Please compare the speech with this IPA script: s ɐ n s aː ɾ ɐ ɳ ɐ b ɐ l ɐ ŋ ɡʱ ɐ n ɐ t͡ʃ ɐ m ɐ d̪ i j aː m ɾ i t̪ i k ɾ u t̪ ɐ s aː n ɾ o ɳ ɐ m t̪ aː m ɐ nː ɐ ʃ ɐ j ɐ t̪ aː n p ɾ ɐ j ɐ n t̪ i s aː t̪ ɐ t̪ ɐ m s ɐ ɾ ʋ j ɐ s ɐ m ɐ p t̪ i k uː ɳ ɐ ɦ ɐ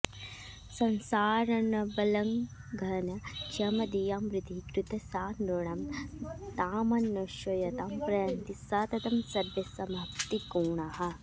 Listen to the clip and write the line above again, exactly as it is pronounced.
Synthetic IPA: s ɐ n s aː ɾ ɐ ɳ ɐ b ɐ l ɐ ŋ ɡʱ ɐ n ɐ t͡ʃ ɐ m ɐ d̪ i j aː m ɾ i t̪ i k ɾ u t̪ ɐ s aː n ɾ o ɳ ɐ m t̪ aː m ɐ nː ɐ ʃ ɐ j ɐ t̪ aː m p ɾ ɐ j ɐ n t̪ i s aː t̪ ɐ t̪ ɐ m s ɐ ɾ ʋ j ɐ s ɐ m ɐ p t̪ i k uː ɳ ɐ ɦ ɐ

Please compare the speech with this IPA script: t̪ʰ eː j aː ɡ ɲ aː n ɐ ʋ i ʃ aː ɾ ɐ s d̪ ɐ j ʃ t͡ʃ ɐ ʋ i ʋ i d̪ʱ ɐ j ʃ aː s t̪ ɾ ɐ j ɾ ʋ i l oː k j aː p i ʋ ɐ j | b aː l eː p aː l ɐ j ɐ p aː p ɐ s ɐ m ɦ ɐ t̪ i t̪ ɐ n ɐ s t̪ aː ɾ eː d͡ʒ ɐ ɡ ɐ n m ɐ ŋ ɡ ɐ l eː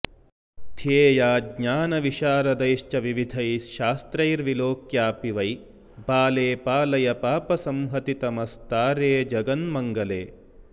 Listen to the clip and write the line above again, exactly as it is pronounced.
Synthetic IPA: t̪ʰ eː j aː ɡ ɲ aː n ɐ ʋ i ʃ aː ɾ ɐ d̪ ɐ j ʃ t͡ʃ ɐ ʋ i ʋ i d̪ʱ ɐ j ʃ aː s t̪ ɾ ɐ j ɾ ʋ i l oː k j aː p i ʋ ɐ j | b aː l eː p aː l ɐ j ɐ p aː p ɐ s ɐ m ɦ ɐ t̪ i t̪ ɐ m ɐ s t̪ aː ɾ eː d͡ʒ ɐ ɡ ɐ n m ɐ ŋ ɡ ɐ l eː

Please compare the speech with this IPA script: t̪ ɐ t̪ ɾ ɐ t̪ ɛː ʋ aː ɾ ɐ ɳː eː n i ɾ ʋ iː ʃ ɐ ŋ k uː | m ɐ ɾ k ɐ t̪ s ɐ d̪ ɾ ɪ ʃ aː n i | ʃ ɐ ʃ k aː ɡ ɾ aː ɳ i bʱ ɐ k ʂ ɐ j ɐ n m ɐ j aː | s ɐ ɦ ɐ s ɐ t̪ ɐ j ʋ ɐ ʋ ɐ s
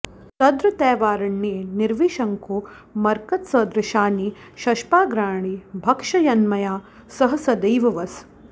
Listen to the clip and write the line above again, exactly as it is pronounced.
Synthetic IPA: t̪ ɐ d̪ ɾ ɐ t̪ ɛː ʋ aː ɾ ɐ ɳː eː n i ɾ ʋ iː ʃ ɐ ŋ k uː | m ɐ ɾ k ɐ t̪ s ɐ d̪ ɾ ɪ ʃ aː n i | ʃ ɐ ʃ p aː ɡ ɾ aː ɳ i bʱ ɐ k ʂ ɐ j ɐ n m ɐ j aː | s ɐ ɦ ɐ s ɐ d̪ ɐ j ʋ ɐ ʋ ɐ s

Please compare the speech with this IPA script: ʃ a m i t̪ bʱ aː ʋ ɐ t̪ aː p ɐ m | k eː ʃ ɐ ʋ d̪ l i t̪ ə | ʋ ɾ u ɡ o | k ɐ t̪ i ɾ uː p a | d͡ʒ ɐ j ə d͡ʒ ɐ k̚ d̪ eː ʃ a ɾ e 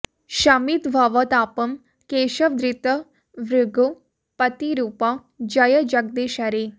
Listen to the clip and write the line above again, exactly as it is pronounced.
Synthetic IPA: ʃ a m i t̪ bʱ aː ʋ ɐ t̪ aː p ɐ m | k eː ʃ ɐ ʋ d̪ ɾ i t̪ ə | ʋ ɾ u ɡ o | p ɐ t̪ i ɾ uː p a | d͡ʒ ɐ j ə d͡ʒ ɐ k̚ d̪ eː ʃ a ɾ e

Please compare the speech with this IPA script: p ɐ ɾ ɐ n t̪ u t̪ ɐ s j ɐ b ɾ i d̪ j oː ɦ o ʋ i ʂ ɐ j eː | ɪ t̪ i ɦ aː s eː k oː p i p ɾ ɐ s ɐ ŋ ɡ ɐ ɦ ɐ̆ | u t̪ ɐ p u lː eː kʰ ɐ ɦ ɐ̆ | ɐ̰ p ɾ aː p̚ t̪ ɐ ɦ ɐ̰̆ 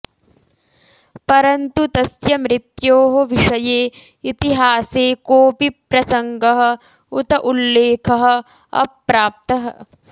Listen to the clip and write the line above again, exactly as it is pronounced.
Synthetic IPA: p ɐ ɾ ɐ n t̪ u t̪ ɐ s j ɐ m ɾ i t̪ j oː ɦ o ʋ i ʂ ɐ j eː | i t̪ i ɦ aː s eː k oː p i p ɾ ɐ s ɐ ŋ ɡ ɐ ɦ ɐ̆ | u t̪ ɐ ʔ u lː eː kʰ ɐ ɦ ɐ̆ | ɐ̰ p ɾ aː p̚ t̪ ɐ ɦ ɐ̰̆

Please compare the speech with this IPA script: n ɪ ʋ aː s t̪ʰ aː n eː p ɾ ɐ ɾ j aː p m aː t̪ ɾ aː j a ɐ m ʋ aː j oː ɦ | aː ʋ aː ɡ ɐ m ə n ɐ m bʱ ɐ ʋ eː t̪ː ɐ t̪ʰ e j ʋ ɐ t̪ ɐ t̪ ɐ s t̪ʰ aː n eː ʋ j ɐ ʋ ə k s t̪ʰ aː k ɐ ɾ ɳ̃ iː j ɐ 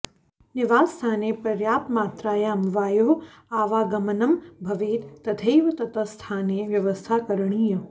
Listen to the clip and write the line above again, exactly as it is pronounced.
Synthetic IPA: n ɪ ʋ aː s t̪ʰ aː n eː p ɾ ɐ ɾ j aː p m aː t̪ ɾ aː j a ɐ m ʋ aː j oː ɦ | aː ʋ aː ɡ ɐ m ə n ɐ m bʱ ɐ ʋ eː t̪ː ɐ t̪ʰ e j ʋ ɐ t̪ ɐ t̪ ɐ s t̪ʰ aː n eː ʋ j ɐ ʋ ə s t̪ʰ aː k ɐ ɾ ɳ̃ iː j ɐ

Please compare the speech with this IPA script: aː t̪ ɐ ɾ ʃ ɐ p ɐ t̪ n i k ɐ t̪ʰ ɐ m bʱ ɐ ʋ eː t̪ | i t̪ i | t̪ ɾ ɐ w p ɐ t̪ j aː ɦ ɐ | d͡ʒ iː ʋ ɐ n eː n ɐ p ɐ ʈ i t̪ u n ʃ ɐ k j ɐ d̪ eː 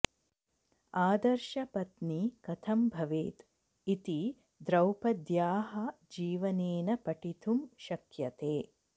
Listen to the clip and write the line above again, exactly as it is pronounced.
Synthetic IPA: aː d̪ ɐ ɾ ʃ ɐ p ɐ t̪ n i k ɐ t̪ʰ ɐ m bʱ ɐ ʋ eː t̪ | i t̪ i | d̪ ɾ ɐ w p ɐ d̪ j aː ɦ ɐ | d͡ʒ iː ʋ ɐ n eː n ɐ p ɐ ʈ i t̪ u m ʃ ɐ k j ɐ t̪ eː

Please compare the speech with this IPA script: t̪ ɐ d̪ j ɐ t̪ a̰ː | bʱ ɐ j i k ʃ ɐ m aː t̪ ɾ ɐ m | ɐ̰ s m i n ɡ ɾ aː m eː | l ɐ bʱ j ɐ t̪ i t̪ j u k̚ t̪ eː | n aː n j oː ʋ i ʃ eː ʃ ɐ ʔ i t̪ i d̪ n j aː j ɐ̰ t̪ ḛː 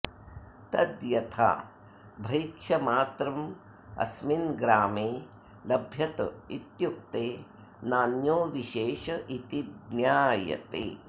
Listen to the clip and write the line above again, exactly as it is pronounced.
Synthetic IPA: t̪ ɐ d̪ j ɐ t̪ʰ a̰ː | bʱ ɐ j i k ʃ ɐ m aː t̪ ɾ ɐ m | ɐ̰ s m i n ɡ ɾ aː m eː | l ɐ bʱ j ɐ t̪ i t̪ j u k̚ t̪ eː | n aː n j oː ʋ i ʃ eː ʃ ɐ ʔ i t̪ i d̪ n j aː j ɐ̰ t̪ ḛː

